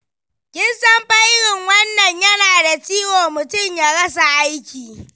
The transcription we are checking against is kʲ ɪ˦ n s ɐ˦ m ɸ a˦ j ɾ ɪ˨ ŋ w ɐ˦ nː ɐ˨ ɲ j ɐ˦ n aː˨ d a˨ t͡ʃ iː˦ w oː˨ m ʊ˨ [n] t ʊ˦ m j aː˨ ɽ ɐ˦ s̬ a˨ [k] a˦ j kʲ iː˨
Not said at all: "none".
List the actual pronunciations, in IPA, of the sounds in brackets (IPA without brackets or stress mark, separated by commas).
none, ʔ